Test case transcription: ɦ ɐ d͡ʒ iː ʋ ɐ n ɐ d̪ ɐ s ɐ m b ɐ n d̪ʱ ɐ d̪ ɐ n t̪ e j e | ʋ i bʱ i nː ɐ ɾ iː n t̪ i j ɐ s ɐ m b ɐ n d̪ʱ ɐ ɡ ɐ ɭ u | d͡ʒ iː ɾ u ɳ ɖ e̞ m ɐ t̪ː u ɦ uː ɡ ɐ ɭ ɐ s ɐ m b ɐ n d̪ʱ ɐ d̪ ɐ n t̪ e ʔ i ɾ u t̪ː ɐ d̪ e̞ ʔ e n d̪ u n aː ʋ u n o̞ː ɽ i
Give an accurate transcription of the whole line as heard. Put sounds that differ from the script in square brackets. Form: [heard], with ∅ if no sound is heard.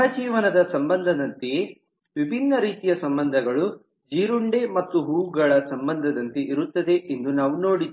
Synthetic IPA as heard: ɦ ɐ d͡ʒ iː ʋ ɐ n ɐ d̪ ɐ s ɐ m b ɐ n d̪ʱ ɐ d̪ ɐ n t̪ e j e | ʋ i bʱ i nː ɐ ɾ iː [∅] t̪ i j ɐ s ɐ m b ɐ n d̪ʱ ɐ ɡ ɐ ɭ u | d͡ʒ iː ɾ u ɳ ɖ e̞ m ɐ t̪ː u ɦ uː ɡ ɐ ɭ ɐ s ɐ m b ɐ n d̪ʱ ɐ d̪ ɐ n t̪ e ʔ i ɾ u t̪ː ɐ d̪ e̞ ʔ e n d̪ u n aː ʋ u n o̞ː ɽ i